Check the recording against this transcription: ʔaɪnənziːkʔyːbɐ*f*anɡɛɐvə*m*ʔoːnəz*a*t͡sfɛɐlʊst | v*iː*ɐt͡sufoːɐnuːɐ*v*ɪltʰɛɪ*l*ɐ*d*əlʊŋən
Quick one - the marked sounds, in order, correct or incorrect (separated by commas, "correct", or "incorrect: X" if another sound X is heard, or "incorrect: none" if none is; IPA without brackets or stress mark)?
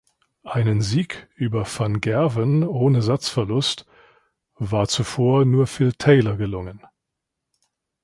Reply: correct, incorrect: n, correct, incorrect: aː, incorrect: f, correct, incorrect: ɡ